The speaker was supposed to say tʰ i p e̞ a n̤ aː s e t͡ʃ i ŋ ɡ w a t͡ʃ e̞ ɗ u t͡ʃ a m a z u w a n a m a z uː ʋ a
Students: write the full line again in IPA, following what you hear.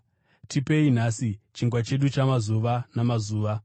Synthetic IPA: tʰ i p e̞ i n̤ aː s i t͡ʃ i ŋ ɡ w a t͡ʃ e̞ ɗ u t͡ʃ a m a z u ʋ a n a m a z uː ʋ a